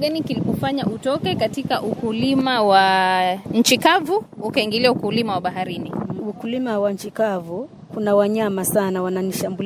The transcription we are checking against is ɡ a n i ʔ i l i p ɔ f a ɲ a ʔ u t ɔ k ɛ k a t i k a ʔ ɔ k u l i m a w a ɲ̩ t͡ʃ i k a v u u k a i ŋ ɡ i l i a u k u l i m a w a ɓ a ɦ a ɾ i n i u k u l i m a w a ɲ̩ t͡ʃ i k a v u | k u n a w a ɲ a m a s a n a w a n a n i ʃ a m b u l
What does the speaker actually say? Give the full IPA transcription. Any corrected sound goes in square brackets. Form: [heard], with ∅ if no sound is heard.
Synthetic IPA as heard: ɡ a n i [k] i l i p ɔ f a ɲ a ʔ u t ɔ k ɛ k a t i k a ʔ [u] k u l i m a w a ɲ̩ t͡ʃ i k a v u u k a i ŋ ɡ i l i a u k u l i m a w a ɓ a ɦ a ɾ i n i u k u l i m a w a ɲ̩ t͡ʃ i k a v u | k u n a w a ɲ a m a s a n a w a n a n i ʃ a m b u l